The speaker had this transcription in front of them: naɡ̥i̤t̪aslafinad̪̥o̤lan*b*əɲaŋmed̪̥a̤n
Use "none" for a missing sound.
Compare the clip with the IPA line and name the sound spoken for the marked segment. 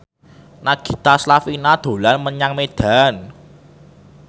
m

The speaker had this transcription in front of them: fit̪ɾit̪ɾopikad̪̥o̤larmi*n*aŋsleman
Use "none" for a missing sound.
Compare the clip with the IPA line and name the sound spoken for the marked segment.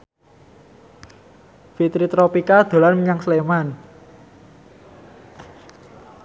ɲ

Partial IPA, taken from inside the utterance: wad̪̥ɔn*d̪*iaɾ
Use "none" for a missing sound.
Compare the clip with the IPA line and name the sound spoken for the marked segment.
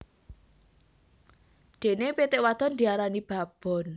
d̪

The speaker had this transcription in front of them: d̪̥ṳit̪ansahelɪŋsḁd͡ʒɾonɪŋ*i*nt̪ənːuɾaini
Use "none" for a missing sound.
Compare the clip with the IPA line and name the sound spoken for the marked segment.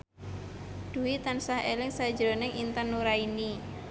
i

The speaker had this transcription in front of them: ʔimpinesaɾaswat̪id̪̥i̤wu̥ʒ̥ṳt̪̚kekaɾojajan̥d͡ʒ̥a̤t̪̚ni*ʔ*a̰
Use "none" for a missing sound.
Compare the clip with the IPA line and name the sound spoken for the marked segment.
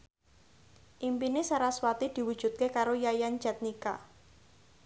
k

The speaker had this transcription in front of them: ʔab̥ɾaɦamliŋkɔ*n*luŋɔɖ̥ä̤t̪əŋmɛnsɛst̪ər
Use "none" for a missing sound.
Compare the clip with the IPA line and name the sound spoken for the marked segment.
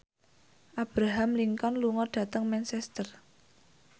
n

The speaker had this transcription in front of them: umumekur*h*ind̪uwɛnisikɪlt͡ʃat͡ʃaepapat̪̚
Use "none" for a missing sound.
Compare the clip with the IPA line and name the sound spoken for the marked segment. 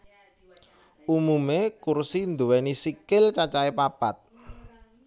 s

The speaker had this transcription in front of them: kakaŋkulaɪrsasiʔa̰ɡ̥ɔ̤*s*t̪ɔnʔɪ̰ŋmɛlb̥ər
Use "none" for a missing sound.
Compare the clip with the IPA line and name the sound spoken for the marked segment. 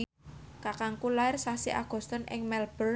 s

